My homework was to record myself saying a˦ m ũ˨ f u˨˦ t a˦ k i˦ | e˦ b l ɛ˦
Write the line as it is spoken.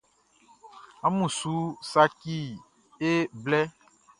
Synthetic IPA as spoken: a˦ m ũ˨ s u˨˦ s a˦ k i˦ | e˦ b l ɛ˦